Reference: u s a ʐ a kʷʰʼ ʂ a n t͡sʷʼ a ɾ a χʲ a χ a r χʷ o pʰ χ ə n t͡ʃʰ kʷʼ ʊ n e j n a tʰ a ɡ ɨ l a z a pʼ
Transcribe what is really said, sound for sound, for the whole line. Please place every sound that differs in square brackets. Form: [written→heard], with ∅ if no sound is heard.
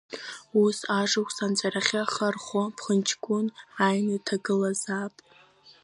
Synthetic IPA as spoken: u s a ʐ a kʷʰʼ [ʂ→s] a n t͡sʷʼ a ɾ a χʲ a χ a r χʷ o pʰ χ ə n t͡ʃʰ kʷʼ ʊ n [e→a] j n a tʰ a ɡ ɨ l a z a pʼ